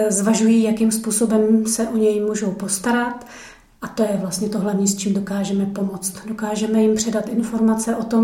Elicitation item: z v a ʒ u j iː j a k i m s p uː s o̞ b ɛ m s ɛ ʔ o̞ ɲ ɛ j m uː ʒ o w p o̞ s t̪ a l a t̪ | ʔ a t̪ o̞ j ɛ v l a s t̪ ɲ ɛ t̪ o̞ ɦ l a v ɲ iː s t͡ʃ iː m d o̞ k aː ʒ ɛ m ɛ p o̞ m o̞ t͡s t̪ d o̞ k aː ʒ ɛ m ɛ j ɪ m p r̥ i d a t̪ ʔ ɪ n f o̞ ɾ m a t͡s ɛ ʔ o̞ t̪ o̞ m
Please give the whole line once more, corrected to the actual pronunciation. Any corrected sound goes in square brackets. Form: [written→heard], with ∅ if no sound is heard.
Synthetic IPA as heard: z v a ʒ u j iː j a k i m s p uː s o̞ b ɛ m s ɛ ʔ o̞ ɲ ɛ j m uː ʒ o w p o̞ s t̪ a [l→ɾ] a t̪ | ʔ a t̪ o̞ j ɛ v l a s t̪ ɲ ɛ t̪ o̞ ɦ l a v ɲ iː s t͡ʃ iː m d o̞ k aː ʒ ɛ m ɛ p o̞ m o̞ t͡s t̪ d o̞ k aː ʒ ɛ m ɛ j ɪ m p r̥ [i→ɛ] d a t̪ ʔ ɪ n f o̞ ɾ m a t͡s ɛ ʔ o̞ t̪ o̞ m